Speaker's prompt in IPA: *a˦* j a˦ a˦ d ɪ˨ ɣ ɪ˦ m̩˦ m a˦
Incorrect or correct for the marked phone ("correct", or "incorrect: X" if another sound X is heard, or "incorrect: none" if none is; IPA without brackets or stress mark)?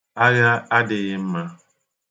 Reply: correct